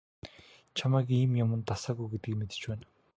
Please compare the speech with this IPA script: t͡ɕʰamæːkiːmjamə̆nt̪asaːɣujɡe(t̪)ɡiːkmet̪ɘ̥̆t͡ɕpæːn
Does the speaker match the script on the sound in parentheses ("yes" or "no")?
yes